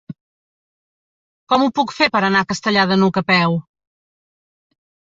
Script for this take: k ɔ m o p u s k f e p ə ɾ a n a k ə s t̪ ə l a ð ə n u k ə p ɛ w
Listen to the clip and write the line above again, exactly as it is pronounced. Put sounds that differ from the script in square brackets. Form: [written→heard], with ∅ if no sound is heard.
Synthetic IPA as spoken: k ɔ m [o→u] p u [s→∅] k f e p ə ɾ [a→ə] n a k ə s t̪ ə [l→ʎ] a ð ə n u k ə p ɛ w